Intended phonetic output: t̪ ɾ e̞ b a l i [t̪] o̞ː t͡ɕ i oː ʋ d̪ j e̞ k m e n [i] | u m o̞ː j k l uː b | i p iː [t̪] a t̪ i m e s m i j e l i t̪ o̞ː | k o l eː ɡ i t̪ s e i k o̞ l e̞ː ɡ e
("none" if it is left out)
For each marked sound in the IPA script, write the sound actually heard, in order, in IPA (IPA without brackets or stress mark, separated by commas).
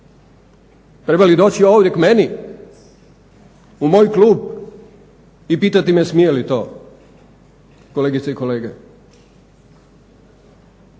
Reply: d̪, i, t̪